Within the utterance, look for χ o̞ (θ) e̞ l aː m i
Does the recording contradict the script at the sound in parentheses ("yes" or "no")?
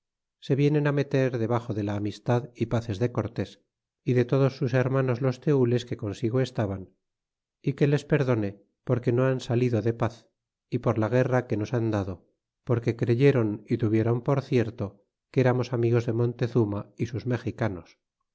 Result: yes